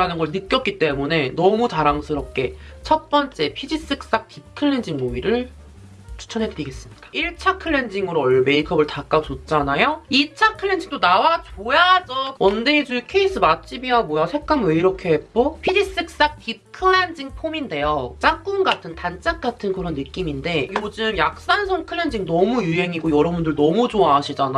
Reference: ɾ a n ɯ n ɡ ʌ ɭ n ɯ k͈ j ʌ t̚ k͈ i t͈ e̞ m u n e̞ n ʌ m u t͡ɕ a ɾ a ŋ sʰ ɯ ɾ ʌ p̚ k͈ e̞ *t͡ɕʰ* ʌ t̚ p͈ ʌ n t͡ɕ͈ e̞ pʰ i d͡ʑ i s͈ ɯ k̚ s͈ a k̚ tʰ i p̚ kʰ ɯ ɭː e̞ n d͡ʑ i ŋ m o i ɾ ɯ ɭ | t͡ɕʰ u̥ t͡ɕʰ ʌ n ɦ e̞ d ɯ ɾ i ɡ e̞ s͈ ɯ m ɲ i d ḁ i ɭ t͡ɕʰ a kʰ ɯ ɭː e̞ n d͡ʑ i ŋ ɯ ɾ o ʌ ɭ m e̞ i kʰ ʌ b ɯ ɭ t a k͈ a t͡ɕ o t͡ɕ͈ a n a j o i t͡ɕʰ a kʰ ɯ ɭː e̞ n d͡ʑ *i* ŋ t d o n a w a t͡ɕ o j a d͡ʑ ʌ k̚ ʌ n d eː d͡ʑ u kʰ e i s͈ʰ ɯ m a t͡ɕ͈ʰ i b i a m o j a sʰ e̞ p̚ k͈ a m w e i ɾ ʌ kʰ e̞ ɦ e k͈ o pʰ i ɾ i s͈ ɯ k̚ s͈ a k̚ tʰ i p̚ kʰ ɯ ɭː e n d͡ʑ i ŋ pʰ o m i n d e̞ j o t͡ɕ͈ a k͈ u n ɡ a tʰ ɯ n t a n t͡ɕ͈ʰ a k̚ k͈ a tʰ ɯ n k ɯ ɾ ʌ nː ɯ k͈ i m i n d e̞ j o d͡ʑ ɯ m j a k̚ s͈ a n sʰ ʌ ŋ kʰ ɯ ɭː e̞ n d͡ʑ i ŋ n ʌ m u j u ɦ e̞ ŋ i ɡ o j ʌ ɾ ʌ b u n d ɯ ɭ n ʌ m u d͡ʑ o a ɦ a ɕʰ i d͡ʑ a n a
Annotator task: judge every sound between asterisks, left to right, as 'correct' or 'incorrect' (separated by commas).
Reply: correct, correct